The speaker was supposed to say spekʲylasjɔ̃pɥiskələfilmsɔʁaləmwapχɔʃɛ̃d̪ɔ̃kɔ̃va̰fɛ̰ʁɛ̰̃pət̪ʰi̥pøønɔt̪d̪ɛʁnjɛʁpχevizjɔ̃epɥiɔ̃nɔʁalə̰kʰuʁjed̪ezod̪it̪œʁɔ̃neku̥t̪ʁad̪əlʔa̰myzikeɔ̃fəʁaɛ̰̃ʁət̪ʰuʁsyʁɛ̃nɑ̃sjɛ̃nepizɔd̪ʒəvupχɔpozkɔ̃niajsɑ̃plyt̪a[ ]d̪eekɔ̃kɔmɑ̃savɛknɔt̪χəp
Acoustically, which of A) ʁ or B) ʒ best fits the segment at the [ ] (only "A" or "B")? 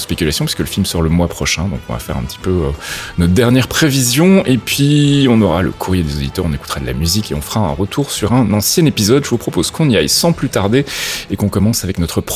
A